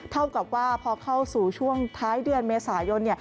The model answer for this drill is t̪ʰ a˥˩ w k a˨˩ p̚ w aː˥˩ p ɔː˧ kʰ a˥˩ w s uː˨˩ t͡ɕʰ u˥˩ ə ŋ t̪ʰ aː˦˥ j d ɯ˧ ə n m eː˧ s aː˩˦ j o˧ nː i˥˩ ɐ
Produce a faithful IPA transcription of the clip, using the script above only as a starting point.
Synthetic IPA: t̪ʰ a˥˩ w k a˨˩ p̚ w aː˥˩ pʰ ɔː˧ kʰ a˥˩ w s uː˨˩ t͡ɕʰ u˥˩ ə ŋ t̪ʰ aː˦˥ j d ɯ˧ ə n m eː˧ s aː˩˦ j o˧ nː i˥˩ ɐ